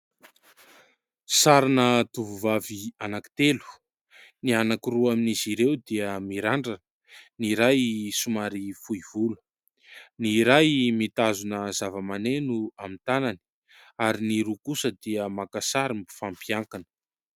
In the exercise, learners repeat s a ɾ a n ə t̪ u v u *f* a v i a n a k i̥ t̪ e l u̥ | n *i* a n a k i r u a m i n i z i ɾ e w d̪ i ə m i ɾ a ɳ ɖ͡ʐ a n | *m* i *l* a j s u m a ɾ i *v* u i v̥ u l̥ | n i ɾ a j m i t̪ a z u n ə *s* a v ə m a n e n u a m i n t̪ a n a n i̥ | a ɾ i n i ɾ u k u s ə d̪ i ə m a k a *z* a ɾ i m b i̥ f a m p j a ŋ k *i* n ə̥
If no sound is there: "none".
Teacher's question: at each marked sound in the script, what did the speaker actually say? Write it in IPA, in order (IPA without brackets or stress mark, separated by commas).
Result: v, i, n, ɾ, f, z, s, a